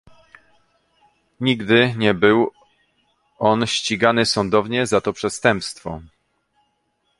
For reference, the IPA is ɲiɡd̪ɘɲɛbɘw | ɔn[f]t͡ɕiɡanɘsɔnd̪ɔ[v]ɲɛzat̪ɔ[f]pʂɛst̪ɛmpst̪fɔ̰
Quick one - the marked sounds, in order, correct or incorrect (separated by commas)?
incorrect, correct, incorrect